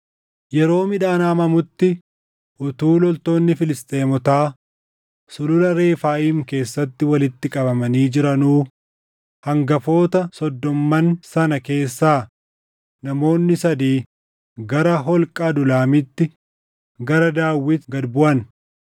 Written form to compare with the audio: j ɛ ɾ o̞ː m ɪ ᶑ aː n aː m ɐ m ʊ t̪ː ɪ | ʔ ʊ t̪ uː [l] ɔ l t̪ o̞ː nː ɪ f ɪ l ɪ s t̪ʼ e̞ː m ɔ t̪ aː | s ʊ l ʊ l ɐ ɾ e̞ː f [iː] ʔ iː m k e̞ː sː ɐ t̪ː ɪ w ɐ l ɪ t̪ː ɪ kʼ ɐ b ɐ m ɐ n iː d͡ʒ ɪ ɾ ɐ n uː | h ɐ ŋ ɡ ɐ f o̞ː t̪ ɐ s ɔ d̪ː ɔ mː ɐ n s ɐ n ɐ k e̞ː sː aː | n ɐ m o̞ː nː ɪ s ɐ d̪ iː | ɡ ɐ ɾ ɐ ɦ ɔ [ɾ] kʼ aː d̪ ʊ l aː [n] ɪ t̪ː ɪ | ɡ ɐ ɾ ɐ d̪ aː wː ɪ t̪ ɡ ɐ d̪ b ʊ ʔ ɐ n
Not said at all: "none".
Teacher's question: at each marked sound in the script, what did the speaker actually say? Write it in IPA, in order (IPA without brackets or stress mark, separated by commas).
l, aː, l, m